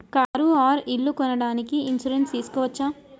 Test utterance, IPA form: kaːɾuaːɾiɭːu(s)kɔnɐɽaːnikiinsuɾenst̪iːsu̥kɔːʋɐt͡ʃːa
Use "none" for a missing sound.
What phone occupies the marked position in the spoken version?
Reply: none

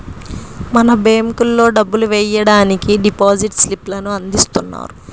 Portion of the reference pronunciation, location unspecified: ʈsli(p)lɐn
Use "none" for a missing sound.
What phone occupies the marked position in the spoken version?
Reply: p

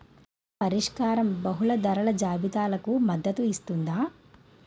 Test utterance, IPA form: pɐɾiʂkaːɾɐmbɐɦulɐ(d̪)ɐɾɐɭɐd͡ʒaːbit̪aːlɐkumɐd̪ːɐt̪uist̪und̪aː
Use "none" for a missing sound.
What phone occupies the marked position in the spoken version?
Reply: d̪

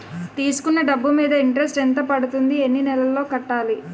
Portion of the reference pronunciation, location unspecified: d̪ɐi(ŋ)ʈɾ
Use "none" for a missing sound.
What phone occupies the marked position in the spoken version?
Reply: ɳ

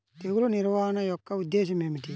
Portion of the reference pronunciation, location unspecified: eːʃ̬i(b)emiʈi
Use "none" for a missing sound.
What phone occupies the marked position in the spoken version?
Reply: m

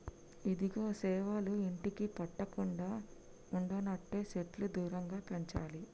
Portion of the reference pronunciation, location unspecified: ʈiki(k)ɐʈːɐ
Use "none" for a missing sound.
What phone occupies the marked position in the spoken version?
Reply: p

